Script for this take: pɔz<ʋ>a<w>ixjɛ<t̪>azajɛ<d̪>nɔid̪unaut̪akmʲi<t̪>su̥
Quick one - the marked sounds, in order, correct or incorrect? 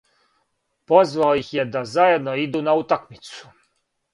incorrect: v, correct, incorrect: d̪, correct, correct

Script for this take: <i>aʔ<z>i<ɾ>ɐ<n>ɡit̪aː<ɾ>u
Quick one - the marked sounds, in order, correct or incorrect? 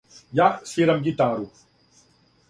incorrect: j, incorrect: s, correct, incorrect: m, correct

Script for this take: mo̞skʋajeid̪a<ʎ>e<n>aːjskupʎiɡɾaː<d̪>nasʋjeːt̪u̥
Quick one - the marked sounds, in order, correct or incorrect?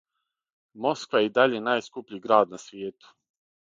correct, correct, correct

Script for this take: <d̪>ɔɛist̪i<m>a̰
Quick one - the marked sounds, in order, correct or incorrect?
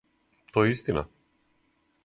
incorrect: t̪, incorrect: n

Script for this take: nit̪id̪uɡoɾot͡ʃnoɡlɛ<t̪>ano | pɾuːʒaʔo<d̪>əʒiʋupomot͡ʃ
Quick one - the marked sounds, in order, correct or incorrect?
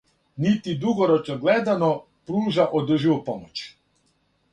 incorrect: d̪, correct

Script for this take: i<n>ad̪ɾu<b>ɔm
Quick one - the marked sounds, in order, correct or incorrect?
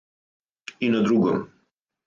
correct, incorrect: ɡ

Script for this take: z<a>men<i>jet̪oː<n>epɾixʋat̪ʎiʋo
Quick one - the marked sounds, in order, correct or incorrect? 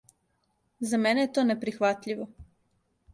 correct, incorrect: e, correct

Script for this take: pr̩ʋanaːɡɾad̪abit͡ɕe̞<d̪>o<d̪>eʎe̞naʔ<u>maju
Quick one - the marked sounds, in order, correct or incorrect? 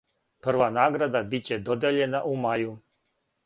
correct, correct, correct

